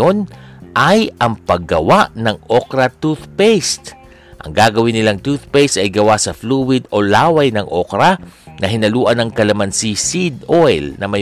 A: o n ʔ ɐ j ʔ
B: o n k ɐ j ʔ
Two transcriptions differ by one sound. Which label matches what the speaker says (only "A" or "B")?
A